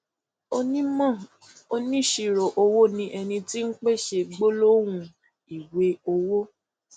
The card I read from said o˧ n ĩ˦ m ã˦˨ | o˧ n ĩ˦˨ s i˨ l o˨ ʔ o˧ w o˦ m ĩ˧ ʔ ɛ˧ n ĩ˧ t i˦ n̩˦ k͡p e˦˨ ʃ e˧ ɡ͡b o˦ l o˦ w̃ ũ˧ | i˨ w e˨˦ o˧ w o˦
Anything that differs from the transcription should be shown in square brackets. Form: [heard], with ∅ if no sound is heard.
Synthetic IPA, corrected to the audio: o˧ n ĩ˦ m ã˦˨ | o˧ n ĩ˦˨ [ʃ] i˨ [ɾ] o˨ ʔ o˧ w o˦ [n] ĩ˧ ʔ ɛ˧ n ĩ˧ t i˦ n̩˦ k͡p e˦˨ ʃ e˧ ɡ͡b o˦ l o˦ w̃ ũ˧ | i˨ w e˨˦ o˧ w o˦

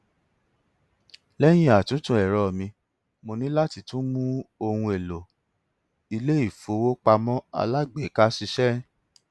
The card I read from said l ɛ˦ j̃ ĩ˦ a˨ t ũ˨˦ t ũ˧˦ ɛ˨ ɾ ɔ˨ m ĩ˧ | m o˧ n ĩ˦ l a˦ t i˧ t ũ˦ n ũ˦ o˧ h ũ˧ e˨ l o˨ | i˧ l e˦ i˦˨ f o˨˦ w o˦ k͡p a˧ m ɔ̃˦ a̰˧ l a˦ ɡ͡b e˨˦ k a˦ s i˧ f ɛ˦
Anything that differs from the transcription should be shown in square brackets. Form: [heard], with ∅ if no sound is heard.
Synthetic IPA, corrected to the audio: l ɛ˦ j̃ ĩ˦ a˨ t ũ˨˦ t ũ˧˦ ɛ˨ ɾ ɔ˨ m ĩ˧ | m o˧ n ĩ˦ l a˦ t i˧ t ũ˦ [m] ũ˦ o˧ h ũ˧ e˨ l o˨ | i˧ l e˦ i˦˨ f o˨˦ w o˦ k͡p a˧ m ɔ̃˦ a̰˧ l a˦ ɡ͡b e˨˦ k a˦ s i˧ [ʃ] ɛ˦

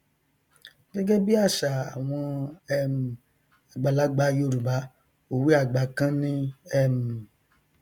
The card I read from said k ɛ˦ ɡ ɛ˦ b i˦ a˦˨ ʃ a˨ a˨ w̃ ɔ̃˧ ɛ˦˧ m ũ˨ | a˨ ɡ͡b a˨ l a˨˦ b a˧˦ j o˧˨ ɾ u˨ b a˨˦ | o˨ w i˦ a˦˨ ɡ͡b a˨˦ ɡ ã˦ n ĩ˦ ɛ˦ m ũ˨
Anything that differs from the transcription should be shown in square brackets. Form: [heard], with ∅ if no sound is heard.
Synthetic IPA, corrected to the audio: [ɡ] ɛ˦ ɡ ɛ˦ b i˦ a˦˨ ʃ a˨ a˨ w̃ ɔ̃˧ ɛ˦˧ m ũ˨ | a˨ ɡ͡b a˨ l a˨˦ [ɡ͡b] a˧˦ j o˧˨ ɾ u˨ b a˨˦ | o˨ w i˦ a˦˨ ɡ͡b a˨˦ [k] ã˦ n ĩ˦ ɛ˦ m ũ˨

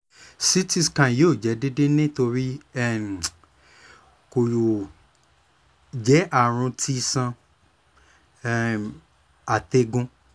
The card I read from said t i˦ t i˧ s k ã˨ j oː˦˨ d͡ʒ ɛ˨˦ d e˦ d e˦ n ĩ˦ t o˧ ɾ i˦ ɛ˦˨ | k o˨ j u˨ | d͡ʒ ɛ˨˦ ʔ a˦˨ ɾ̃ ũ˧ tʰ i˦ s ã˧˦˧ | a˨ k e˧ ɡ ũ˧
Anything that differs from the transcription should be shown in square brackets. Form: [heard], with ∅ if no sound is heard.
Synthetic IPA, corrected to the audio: [s] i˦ t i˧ s k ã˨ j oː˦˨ d͡ʒ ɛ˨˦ d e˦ d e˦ n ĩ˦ t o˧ ɾ i˦ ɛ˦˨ | k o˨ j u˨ | d͡ʒ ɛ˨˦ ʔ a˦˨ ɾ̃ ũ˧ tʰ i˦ s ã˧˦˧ | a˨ [t] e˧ ɡ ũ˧

